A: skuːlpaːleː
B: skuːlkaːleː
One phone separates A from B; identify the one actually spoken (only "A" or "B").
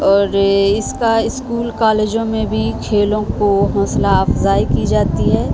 B